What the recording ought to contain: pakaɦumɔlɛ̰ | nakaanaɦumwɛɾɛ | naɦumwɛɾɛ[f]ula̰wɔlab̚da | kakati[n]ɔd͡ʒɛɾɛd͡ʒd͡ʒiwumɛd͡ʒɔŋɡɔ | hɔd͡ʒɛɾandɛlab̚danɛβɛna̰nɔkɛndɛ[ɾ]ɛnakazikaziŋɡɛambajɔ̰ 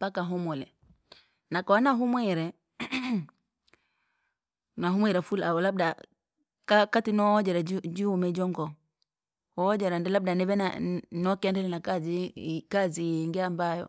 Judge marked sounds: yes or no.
yes, yes, no

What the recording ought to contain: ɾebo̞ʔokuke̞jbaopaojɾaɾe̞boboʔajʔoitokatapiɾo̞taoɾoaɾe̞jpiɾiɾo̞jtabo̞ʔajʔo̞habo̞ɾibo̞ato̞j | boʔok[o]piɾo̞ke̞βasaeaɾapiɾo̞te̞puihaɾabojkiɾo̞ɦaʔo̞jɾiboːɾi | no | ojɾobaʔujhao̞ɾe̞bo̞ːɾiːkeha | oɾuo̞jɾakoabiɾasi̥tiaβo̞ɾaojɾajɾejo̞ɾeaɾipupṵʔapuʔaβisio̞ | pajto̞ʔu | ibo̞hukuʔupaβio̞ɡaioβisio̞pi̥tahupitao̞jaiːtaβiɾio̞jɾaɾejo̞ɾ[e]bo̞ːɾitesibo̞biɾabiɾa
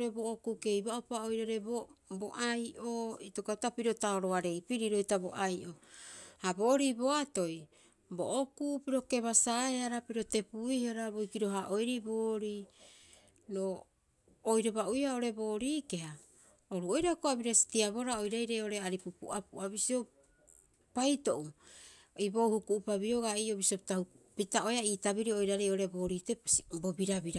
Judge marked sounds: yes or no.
no, yes

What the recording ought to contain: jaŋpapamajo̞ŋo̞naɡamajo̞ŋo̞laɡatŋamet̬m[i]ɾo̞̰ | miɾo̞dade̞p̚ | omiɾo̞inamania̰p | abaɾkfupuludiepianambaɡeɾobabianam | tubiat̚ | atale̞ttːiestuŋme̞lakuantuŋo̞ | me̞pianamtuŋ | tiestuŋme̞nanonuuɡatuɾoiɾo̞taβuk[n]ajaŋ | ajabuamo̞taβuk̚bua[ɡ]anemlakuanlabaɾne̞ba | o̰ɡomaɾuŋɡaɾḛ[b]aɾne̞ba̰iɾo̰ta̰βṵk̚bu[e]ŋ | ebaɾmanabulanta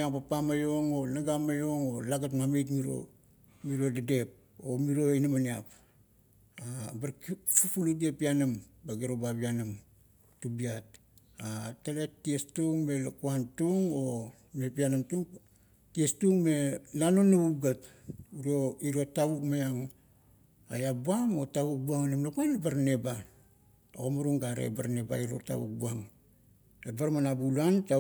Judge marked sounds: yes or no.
yes, no, no, yes, no

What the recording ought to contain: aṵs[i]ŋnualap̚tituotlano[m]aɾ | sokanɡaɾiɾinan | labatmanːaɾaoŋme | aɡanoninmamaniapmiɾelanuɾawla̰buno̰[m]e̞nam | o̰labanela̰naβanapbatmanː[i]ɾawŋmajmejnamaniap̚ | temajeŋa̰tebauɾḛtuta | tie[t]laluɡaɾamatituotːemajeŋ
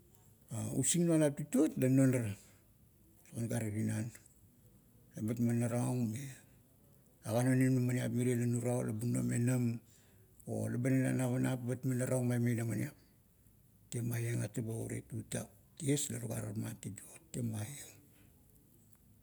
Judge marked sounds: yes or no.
yes, no, yes, no, no

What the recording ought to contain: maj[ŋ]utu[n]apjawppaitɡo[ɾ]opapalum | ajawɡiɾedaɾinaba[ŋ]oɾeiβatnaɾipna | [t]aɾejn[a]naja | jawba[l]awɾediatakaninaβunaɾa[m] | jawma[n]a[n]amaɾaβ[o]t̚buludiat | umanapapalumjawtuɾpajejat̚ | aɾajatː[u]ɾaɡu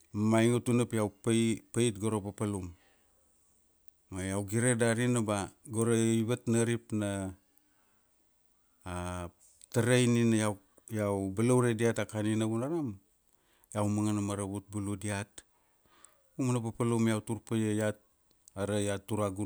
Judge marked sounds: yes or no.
yes, yes, yes, no, yes, no, yes, yes, no, yes, no, yes

